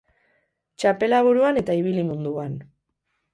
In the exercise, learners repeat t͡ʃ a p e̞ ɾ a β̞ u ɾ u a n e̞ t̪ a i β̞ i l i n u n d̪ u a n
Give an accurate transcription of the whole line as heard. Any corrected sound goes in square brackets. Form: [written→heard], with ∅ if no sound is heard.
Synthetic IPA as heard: t͡ʃ a p e̞ [ɾ→l] a β̞ u ɾ u a n e̞ t̪ a i β̞ i l i [n→m] u n d̪ u a n